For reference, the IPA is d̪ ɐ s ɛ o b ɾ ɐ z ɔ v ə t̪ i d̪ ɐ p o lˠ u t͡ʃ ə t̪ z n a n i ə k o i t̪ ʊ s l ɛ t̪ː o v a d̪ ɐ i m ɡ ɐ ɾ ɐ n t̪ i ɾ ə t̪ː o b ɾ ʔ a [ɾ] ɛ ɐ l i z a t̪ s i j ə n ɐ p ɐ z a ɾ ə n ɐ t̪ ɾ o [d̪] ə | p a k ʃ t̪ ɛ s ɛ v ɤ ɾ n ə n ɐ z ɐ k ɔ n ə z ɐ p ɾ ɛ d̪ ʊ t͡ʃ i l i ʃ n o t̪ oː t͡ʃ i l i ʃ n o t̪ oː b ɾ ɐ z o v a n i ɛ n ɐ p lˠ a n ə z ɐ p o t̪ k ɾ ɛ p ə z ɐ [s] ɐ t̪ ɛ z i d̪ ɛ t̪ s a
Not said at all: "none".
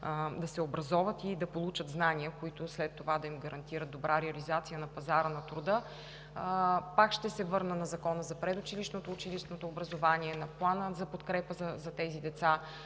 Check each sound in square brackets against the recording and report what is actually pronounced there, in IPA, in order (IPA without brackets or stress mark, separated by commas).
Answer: ɾ, d̪, z